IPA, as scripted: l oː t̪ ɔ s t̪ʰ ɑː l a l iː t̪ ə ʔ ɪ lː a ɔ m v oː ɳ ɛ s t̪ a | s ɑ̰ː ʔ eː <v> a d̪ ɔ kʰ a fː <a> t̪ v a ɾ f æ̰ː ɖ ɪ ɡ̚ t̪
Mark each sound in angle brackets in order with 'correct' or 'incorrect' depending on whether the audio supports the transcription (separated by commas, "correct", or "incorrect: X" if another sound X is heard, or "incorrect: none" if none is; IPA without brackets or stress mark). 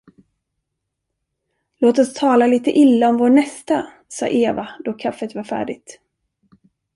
correct, incorrect: ə